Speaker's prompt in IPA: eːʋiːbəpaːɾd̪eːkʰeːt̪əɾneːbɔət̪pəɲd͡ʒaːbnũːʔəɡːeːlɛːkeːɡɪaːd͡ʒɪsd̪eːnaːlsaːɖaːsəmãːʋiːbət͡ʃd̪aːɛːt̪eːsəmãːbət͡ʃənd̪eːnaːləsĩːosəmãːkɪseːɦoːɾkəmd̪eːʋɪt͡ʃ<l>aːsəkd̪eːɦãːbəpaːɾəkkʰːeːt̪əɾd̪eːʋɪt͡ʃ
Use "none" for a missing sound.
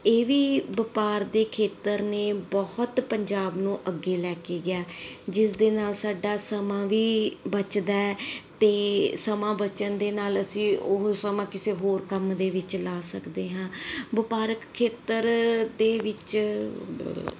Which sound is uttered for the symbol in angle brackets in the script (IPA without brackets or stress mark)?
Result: l